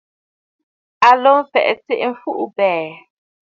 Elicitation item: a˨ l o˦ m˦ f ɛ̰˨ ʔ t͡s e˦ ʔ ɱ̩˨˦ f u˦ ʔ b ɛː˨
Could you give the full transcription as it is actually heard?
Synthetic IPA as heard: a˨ l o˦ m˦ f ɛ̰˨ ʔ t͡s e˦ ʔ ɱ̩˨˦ f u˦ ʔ b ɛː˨